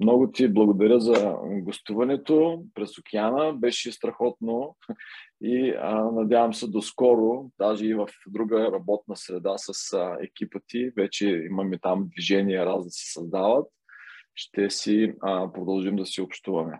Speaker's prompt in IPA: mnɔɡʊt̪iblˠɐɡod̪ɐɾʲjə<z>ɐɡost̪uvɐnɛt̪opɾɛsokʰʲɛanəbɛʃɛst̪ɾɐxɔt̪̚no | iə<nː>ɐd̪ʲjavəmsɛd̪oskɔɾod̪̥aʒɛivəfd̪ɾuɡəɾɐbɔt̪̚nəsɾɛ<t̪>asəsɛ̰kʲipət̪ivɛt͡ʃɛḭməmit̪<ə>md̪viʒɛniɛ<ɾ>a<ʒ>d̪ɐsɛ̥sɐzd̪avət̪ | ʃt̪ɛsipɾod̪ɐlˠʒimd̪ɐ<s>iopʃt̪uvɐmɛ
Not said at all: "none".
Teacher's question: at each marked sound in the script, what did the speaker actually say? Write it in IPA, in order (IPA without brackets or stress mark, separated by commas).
z, n, d̪, a, ɾ, z, s